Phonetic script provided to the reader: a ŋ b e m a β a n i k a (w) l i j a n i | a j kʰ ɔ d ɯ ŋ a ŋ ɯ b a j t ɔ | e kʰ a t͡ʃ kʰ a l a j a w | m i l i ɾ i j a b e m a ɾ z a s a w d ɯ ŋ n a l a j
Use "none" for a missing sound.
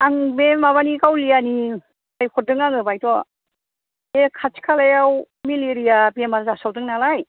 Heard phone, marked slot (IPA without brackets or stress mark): w